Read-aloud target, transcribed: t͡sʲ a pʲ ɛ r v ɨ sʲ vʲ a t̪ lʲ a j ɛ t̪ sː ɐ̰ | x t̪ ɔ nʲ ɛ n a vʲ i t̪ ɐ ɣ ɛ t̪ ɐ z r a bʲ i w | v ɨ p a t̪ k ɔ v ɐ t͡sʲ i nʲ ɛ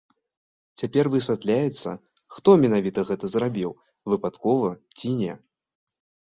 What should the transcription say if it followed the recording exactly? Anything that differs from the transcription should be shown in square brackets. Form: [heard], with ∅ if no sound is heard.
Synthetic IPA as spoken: t͡sʲ a pʲ ɛ r v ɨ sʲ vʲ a t̪ lʲ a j ɛ t̪ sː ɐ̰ | x t̪ ɔ [mʲ] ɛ n a vʲ i t̪ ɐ ɣ ɛ t̪ ɐ z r a bʲ i w | v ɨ p a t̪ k ɔ v ɐ t͡sʲ i nʲ ɛ